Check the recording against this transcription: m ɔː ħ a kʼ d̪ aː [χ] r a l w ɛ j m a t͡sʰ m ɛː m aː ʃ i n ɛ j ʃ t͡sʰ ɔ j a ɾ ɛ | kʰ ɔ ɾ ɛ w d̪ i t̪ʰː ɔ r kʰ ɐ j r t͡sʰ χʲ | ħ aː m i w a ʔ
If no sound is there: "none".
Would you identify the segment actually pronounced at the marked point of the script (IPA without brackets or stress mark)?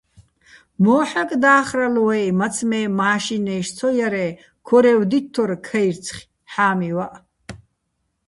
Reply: χ